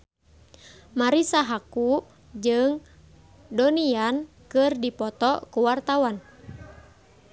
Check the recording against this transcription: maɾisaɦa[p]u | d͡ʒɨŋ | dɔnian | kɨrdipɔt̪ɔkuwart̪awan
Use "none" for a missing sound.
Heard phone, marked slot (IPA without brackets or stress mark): k